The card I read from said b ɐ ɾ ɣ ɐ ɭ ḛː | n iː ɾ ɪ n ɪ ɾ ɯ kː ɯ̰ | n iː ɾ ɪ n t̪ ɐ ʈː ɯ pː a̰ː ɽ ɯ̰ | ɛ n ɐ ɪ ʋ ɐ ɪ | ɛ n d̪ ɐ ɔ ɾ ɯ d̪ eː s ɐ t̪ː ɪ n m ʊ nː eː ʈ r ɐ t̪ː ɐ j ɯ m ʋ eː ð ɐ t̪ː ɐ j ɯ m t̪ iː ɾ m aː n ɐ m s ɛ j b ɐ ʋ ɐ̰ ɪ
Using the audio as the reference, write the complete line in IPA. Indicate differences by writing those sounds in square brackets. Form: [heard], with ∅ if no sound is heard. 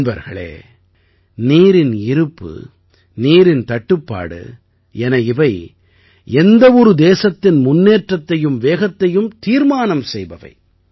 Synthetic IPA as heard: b ɐ ɾ ɣ ɐ ɭ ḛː | n iː ɾ ɪ n ɪ ɾ ɯ [pː] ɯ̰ | n iː ɾ ɪ n t̪ ɐ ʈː ɯ pː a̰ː ɽ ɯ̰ | ɛ n ɐ ɪ ʋ ɐ ɪ | ɛ n d̪ ɐ ɔ ɾ ɯ d̪ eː s ɐ t̪ː ɪ n m ʊ nː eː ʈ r ɐ t̪ː ɐ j ɯ m ʋ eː [ɣ] ɐ t̪ː ɐ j ɯ m t̪ iː ɾ m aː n ɐ m s ɛ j b ɐ ʋ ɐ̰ ɪ

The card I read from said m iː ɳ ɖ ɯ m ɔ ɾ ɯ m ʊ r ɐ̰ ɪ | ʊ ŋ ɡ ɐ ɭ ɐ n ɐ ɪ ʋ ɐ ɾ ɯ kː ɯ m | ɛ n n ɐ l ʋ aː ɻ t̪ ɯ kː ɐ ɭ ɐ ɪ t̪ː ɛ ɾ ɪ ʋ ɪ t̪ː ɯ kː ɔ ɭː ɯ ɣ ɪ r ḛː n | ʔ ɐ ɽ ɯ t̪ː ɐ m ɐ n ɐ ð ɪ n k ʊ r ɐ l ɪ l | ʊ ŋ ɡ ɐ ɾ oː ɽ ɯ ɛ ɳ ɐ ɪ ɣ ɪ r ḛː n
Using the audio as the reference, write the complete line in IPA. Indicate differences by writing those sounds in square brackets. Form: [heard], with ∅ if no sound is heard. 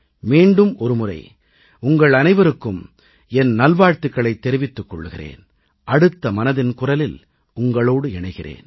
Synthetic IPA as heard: m iː ɳ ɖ ɯ m ɔ ɾ ɯ m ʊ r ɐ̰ ɪ | ʊ ŋ ɡ ɐ ɭ ɐ n ɐ ɪ ʋ ɐ ɾ ɯ kː ɯ m | ɛ n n ɐ l ʋ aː ɻ t̪ ɯ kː ɐ ɭ ɐ ɪ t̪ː ɛ ɾ ɪ ʋ ɪ t̪ː ɯ kː ɔ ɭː ɯ ɣ ɪ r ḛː n | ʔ ɐ ɽ ɯ t̪ː ɐ m ɐ n ɐ ð ɪ n k ʊ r ɐ l ɪ l | ʊ ŋ ɡ ɐ [ɭ] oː ɽ ɯ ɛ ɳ ɐ ɪ ɣ ɪ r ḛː n

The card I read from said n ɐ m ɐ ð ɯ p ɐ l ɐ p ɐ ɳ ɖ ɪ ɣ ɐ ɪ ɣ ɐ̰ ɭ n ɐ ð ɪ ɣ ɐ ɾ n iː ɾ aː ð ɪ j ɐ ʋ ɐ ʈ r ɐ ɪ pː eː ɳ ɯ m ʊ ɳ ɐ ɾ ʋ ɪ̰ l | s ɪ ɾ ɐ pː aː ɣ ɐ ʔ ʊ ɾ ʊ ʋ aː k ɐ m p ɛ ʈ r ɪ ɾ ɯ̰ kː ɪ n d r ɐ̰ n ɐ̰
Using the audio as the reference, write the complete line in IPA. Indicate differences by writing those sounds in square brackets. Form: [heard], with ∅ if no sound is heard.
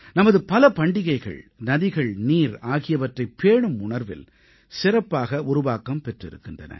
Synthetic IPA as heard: n ɐ m ɐ ð ɯ p ɐ l ɐ p ɐ ɳ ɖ ɪ ɣ ɐ ɪ ɣ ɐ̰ ɭ n ɐ ð ɪ ɣ ɐ [ɭ] n iː ɾ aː [ɣ] ɪ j ɐ ʋ ɐ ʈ r ɐ ɪ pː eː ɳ ɯ m ʊ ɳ ɐ ɾ ʋ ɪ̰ l | s ɪ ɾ ɐ pː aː ɣ ɐ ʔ ʊ ɾ ʊ ʋ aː k ɐ m p ɛ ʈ r ɪ ɾ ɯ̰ kː ɪ n d r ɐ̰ n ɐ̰

